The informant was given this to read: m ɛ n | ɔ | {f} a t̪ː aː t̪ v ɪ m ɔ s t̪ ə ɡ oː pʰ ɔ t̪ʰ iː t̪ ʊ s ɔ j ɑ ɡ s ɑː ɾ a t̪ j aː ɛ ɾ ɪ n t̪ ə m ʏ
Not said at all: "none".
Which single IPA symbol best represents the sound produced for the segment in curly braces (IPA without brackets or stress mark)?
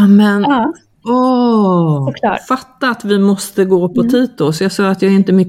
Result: f